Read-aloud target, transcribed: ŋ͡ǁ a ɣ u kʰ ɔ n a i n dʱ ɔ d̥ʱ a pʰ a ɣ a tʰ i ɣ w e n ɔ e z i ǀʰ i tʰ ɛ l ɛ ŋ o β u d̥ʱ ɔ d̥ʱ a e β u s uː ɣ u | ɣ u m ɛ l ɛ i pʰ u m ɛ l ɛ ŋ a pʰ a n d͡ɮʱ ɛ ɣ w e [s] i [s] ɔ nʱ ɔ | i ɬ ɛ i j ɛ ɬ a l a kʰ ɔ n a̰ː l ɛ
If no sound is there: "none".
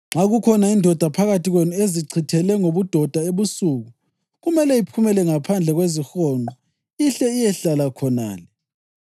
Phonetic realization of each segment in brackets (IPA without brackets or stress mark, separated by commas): z, x